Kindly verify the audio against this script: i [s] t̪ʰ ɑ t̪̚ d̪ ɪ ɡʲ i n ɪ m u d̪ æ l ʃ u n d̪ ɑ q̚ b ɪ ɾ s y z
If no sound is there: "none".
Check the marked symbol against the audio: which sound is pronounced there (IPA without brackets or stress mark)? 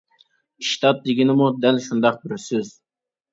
ʃ